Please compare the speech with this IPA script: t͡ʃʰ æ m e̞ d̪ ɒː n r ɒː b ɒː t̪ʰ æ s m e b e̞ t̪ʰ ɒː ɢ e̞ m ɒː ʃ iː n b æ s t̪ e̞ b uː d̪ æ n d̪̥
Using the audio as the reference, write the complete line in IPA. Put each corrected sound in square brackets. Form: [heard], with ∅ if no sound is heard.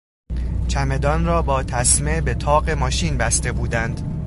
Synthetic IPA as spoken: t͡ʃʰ æ m e̞ d̪ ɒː n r ɒː b ɒː t̪ʰ æ s m e b e̞ t̪ʰ ɒː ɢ e̞ m ɒː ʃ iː n b æ s t̪ e̞ b uː d̪ æ n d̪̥